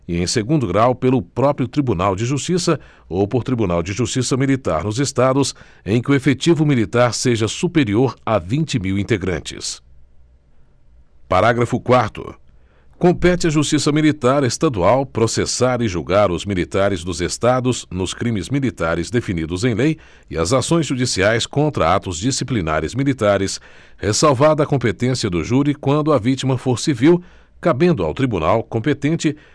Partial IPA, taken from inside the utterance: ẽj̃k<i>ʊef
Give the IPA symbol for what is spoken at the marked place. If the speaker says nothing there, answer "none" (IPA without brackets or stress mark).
ɪ